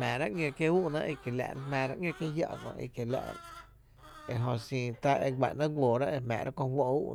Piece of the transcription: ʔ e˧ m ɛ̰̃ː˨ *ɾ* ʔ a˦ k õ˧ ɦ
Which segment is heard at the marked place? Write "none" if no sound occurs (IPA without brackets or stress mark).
ɾ